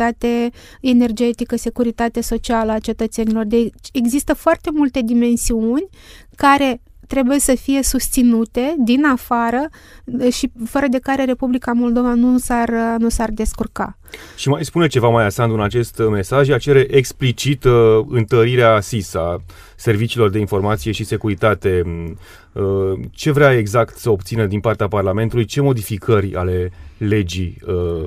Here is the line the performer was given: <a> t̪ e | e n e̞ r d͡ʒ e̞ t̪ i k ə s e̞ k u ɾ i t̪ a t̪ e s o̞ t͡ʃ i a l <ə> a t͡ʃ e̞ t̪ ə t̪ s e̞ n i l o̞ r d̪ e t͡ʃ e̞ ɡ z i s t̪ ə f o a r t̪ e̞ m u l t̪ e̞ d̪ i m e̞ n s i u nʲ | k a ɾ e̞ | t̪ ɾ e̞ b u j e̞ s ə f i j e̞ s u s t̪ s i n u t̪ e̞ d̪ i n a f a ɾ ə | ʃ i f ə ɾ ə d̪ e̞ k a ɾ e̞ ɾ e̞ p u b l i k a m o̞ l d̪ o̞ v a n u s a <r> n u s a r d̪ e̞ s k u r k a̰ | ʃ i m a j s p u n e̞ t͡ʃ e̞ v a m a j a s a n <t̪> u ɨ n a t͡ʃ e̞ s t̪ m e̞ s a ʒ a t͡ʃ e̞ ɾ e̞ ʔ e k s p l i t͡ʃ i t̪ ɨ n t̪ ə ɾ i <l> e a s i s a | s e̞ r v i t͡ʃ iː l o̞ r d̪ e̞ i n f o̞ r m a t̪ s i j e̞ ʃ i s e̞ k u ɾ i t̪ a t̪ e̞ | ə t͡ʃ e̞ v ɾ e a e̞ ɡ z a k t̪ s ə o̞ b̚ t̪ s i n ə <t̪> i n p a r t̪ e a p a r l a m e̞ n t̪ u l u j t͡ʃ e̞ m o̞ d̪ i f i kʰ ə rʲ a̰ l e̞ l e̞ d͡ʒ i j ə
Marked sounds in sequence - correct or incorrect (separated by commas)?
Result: correct, correct, correct, incorrect, incorrect, incorrect